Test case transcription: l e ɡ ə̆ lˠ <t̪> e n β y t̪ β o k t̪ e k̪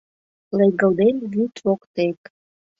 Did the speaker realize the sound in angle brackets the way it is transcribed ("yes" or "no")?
no